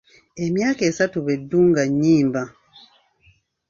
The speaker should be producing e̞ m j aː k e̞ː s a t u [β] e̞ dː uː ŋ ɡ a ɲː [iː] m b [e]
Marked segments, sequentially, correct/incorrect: correct, correct, incorrect

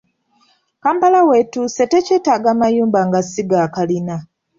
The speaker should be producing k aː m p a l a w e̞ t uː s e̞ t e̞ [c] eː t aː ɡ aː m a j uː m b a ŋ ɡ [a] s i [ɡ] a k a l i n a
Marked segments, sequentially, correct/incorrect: correct, correct, correct

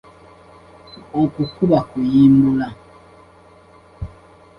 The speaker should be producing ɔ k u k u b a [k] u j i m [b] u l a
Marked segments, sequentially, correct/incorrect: correct, correct

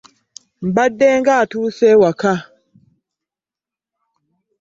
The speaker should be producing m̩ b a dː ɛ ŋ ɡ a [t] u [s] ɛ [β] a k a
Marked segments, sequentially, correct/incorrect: correct, correct, incorrect

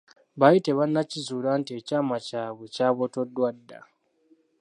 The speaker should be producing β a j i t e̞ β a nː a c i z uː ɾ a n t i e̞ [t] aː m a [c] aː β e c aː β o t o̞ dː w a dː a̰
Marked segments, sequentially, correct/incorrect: incorrect, correct

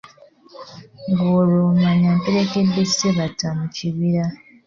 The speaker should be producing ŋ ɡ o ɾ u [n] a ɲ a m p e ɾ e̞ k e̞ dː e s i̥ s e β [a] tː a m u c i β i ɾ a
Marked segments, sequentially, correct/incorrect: incorrect, correct

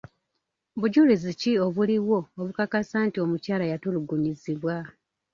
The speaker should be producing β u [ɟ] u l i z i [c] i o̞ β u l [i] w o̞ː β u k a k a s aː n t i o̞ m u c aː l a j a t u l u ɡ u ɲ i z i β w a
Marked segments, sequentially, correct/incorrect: correct, correct, correct

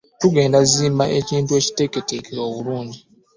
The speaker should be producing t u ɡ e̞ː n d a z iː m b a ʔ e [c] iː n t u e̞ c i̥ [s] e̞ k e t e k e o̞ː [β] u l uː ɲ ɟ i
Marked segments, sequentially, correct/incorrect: correct, incorrect, correct

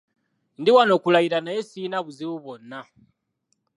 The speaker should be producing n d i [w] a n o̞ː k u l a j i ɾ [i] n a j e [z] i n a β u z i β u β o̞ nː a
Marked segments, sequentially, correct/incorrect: correct, incorrect, incorrect

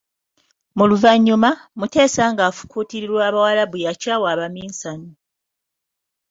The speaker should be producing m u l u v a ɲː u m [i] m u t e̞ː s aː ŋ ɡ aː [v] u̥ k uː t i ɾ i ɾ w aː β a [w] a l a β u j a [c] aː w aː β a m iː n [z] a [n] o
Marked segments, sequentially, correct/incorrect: incorrect, incorrect, correct, correct, incorrect, correct

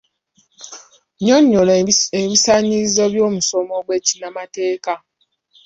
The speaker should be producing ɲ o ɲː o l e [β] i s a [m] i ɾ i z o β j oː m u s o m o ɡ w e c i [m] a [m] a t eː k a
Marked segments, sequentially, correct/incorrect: correct, incorrect, incorrect, correct

